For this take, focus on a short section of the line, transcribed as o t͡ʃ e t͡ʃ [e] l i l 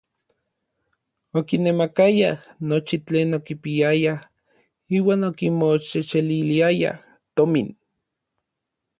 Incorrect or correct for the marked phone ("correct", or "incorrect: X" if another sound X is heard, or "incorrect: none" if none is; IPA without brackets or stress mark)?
correct